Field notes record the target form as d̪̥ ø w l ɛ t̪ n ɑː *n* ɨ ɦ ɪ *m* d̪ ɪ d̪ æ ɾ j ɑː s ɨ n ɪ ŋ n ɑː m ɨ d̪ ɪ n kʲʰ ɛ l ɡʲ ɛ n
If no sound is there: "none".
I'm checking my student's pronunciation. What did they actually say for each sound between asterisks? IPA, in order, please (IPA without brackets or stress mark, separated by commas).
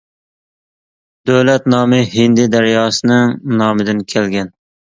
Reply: m, n